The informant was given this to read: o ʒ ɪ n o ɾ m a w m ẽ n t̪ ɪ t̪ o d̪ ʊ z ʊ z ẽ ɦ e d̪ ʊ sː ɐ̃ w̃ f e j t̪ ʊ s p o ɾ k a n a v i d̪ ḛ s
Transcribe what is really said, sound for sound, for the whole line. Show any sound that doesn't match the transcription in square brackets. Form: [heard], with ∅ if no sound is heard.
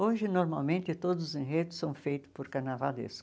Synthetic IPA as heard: o ʒ ɪ n o ɾ m a w m ẽ n t̪ ɪ t̪ o d̪ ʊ z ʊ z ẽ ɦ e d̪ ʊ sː ɐ̃ w̃ f e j t̪ ʊ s p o ɾ k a n a v [a] d̪ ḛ s